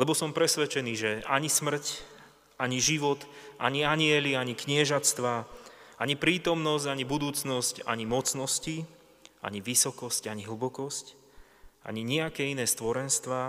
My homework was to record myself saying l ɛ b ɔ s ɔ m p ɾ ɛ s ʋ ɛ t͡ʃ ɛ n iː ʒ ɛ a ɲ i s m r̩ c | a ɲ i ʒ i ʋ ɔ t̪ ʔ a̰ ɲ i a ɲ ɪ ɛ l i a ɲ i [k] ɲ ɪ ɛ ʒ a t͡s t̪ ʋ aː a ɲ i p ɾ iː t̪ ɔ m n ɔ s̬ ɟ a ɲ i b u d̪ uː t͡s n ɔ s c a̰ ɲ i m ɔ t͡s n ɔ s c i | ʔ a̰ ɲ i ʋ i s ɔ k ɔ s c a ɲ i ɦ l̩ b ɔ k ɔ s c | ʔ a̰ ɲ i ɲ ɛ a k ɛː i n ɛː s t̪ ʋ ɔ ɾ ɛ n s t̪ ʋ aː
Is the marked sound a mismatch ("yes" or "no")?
no